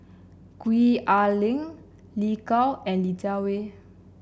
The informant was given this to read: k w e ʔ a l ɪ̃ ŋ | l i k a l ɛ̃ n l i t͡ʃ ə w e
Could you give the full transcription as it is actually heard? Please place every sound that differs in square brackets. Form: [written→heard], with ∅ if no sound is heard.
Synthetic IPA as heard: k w [e→i] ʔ a l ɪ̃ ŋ | l i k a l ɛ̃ n l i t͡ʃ [ə→a] w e